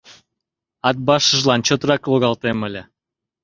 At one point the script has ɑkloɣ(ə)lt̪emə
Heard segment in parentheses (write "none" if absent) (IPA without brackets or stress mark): ɑ